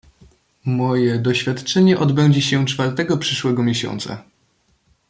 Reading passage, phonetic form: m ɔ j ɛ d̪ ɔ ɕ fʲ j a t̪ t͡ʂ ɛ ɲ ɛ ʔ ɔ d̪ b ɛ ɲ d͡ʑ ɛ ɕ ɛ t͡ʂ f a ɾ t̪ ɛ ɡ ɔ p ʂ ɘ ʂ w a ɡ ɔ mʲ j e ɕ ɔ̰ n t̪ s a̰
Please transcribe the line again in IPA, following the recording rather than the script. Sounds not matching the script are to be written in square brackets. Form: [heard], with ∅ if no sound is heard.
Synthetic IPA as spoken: m ɔ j ɛ d̪ ɔ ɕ fʲ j a t̪ t͡ʂ ɛ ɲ ɛ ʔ ɔ d̪ b ɛ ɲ d͡ʑ ɛ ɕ ɛ t͡ʂ f a ɾ t̪ ɛ ɡ ɔ p ʂ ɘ ʂ w [ɛ] ɡ ɔ mʲ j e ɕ ɔ̰ n t̪ s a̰

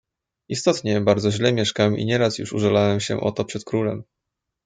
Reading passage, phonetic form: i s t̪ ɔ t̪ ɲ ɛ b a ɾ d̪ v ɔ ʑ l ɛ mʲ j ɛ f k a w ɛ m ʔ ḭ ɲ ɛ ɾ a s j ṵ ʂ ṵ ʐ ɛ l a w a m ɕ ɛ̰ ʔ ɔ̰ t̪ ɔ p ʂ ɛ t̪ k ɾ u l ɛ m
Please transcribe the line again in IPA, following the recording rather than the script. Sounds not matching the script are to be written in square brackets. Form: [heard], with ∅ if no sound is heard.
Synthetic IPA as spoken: i s t̪ ɔ t̪ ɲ ɛ b a ɾ d̪ [z] ɔ ʑ l ɛ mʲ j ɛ [ʂ] k a w ɛ m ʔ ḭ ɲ ɛ ɾ a s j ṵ ʂ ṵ ʐ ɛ l a w [ɛ] m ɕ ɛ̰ ʔ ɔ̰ t̪ ɔ p ʂ ɛ t̪ k ɾ u l ɛ m

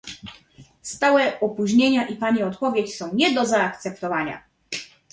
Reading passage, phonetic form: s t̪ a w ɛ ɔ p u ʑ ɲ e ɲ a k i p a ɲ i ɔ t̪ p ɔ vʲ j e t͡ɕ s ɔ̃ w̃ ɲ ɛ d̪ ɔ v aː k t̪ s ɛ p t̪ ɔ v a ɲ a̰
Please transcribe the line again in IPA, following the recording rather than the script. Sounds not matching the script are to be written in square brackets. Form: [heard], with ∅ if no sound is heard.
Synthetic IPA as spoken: s t̪ a w ɛ ɔ p u ʑ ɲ e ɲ a [ʔ] i p a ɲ i ɔ t̪ p ɔ vʲ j e t͡ɕ s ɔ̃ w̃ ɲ ɛ d̪ ɔ [z] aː k t̪ s ɛ p t̪ ɔ v a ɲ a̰

